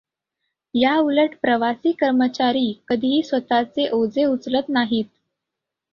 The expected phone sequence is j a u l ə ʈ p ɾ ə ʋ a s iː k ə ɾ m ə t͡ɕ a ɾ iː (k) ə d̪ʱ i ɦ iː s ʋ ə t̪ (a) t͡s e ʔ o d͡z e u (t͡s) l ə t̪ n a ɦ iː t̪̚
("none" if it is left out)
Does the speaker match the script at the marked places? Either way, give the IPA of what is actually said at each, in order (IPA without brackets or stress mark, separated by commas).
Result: k, a, t͡s